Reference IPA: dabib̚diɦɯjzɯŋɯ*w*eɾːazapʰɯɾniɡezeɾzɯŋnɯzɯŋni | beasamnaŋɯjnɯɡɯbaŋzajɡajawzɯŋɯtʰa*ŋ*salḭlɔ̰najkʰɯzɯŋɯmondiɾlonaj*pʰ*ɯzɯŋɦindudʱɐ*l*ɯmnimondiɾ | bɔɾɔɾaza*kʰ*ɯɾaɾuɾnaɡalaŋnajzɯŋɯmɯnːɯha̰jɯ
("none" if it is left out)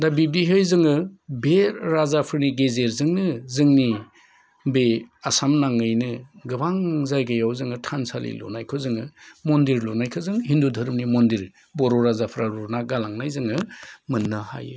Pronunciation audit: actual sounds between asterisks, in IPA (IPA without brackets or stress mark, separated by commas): b, n, kʰ, ɾ, pʰ